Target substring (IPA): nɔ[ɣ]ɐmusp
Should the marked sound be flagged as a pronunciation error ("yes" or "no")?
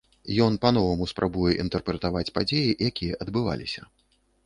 yes